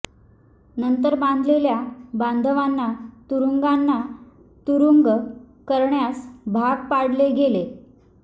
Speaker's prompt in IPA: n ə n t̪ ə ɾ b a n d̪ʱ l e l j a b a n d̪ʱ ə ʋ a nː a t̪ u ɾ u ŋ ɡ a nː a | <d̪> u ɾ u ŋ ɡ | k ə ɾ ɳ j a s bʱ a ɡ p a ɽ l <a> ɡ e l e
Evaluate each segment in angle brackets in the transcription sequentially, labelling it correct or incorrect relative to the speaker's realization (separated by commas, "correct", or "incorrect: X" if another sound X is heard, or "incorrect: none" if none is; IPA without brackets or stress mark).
incorrect: t̪, incorrect: e